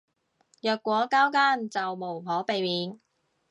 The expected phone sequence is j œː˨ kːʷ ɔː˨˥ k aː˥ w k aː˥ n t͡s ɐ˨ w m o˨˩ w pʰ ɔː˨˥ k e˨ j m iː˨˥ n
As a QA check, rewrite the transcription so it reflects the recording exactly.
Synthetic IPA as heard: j œː˨ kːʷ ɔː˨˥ k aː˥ w k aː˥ n t͡s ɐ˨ w m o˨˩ w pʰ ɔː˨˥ p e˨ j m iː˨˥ n